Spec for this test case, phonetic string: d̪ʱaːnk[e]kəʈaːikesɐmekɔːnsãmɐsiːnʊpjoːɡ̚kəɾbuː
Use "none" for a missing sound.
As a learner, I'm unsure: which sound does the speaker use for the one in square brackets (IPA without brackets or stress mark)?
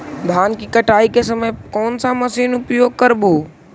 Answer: i